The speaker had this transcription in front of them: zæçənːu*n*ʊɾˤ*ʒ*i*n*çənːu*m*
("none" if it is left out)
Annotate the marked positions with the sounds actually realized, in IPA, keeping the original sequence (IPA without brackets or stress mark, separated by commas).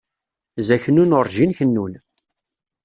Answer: n, ʒ, n, n